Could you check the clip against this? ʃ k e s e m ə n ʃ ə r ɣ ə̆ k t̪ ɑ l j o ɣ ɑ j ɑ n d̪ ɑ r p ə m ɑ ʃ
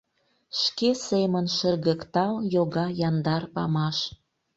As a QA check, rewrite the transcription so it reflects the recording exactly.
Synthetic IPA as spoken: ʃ k e s e m ə n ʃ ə r ɣ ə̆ k t̪ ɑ l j o ɣ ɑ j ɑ n d̪ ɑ r p ɑ m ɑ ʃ